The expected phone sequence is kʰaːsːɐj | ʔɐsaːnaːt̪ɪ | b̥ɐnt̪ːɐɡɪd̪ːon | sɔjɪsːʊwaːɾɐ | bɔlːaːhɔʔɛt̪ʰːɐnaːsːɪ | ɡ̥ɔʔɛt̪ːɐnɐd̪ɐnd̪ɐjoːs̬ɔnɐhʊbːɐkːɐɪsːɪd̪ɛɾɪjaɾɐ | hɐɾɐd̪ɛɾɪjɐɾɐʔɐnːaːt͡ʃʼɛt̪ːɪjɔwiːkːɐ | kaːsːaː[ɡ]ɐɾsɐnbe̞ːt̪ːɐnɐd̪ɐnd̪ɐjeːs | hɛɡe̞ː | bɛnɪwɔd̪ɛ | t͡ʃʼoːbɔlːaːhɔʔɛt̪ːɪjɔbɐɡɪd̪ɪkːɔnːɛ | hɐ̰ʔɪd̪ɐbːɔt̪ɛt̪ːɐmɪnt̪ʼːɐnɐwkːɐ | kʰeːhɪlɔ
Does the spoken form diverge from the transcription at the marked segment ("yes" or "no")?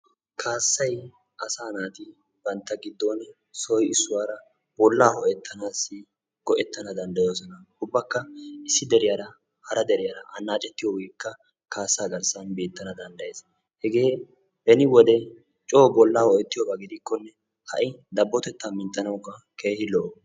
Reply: no